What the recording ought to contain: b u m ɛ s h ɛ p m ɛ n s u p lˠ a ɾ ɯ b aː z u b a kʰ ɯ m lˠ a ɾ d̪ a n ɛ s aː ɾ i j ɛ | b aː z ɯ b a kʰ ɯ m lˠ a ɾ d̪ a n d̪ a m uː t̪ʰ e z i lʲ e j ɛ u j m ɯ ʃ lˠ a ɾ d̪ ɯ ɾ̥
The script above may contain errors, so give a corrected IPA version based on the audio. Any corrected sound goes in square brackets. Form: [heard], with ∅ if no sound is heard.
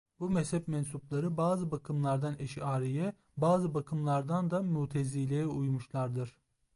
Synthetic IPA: b u m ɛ s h ɛ p m ɛ n s u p lˠ a ɾ ɯ b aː z [ɯ] b a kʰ ɯ m lˠ a ɾ d̪ a n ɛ [ʃ] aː ɾ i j ɛ | b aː z ɯ b a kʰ ɯ m lˠ a ɾ d̪ a n d̪ a m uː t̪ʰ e z i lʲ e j ɛ u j m [u] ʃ lˠ a ɾ d̪ ɯ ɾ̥